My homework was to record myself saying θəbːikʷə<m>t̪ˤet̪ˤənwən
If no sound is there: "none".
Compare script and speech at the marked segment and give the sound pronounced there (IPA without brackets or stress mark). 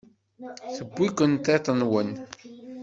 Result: n